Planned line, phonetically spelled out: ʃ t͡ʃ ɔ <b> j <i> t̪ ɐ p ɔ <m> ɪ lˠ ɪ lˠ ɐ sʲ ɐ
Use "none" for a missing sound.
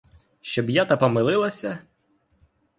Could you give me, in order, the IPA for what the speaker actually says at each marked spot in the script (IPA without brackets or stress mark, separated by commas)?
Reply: b, a, m